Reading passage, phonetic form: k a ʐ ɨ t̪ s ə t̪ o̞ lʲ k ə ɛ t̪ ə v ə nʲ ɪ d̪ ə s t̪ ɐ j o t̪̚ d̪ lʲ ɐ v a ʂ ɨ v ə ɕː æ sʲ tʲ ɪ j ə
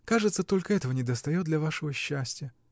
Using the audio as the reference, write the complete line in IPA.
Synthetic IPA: k a ʐ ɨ t̪ s ə t̪ o̞ lʲ k ə ɛ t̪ ə v ə nʲ ɪ d̪ ə s t̪ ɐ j o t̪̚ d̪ lʲ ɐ v a ʂ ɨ v ə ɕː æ sʲ tʲ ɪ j ə